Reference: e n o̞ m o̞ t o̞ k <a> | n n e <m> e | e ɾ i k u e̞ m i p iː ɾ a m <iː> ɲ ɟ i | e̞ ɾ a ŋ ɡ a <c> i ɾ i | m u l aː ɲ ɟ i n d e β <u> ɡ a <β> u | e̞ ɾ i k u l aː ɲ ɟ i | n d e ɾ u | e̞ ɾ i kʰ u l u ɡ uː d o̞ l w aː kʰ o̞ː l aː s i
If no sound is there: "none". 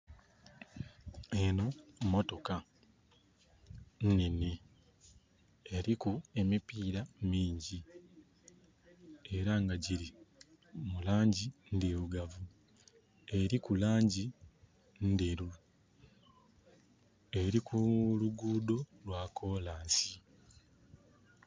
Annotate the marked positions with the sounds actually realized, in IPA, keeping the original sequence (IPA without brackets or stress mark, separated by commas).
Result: a, n, iː, ɟ, u, v